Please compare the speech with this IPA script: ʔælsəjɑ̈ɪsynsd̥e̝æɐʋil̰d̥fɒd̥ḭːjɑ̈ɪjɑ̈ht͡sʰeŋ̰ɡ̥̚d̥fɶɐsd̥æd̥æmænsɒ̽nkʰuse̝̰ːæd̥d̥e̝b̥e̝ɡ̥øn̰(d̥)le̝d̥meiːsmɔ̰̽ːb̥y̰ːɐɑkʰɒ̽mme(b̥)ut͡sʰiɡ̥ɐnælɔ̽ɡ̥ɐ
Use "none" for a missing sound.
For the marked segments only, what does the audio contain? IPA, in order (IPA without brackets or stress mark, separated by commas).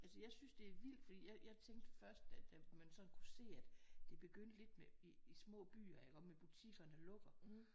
d̥, b̥